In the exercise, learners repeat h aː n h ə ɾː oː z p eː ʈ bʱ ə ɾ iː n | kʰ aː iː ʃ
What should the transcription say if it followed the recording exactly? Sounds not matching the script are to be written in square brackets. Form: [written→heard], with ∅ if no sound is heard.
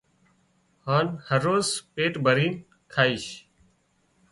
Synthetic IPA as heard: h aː n h ə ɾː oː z p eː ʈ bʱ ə ɾ iː n | kʰ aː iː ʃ